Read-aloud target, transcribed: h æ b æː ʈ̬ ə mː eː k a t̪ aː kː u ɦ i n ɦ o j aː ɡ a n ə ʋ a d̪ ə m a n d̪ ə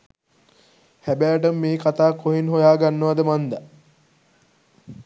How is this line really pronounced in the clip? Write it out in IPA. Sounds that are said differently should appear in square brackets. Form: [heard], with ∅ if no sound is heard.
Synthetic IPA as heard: h æ b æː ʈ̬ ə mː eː k a t̪ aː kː [o] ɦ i n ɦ o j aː ɡ a [nː] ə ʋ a d̪ ə m a n d̪ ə